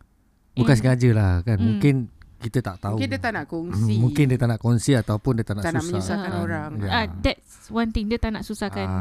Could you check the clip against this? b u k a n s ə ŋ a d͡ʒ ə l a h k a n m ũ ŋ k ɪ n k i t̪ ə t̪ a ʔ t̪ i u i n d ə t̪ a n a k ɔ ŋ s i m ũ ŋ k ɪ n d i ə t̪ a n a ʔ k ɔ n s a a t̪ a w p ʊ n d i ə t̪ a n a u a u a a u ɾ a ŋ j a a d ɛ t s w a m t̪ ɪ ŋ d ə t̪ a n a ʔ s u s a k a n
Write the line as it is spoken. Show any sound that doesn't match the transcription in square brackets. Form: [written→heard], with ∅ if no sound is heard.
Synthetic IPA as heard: b u k a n s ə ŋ a d͡ʒ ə l a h k a n m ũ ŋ k ɪ n k i t̪ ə t̪ a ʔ t̪ [i→a] u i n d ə t̪ a n a k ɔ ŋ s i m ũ ŋ k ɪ n d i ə t̪ a n a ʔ k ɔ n s [a→i] a t̪ a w p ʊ n d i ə t̪ a n a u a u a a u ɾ a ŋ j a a d ɛ t s w a [m→n] t̪ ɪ ŋ d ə t̪ a n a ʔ s u s a k a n